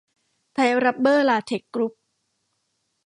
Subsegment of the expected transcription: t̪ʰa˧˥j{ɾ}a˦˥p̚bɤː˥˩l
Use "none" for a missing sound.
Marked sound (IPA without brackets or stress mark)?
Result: ɾ